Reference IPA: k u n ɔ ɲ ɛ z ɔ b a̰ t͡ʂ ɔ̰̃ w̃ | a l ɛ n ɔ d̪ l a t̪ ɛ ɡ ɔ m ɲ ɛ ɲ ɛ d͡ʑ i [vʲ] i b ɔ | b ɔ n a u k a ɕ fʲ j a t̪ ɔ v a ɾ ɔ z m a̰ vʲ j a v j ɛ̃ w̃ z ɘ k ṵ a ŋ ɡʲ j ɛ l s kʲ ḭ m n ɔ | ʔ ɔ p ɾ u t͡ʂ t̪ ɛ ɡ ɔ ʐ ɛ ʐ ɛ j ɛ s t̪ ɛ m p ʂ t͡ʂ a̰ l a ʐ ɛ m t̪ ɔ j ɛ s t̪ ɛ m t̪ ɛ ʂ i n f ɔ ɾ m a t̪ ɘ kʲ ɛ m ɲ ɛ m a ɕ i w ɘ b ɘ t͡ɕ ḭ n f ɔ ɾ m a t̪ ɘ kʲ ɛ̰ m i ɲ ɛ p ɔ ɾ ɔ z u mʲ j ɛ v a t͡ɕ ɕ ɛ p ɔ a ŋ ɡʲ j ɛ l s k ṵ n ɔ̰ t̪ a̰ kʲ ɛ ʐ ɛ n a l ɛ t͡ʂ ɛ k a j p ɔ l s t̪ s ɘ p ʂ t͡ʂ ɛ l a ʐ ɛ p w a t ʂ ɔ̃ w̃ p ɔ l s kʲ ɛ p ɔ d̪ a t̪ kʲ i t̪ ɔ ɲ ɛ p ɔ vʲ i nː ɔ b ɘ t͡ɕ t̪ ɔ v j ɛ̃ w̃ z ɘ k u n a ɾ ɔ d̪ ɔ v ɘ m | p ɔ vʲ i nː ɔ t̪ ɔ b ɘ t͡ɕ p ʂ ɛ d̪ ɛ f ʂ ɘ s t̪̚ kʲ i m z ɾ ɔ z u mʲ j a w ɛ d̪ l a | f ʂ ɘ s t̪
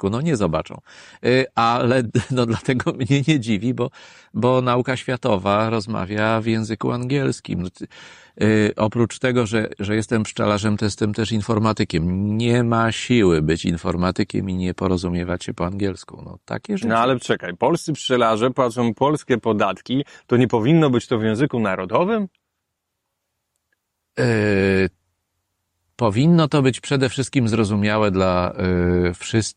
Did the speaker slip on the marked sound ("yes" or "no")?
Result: no